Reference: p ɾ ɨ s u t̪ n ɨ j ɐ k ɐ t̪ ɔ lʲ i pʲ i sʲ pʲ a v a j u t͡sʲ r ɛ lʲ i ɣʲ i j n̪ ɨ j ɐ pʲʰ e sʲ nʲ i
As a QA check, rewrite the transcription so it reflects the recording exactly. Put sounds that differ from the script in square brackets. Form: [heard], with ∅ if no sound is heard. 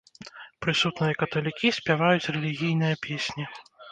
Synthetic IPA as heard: p ɾ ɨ s u t̪ n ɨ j ɐ k ɐ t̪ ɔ lʲ i [kʲ] i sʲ pʲ a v a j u t͡sʲ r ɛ lʲ i ɣʲ i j n̪ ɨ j ɐ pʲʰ e sʲ nʲ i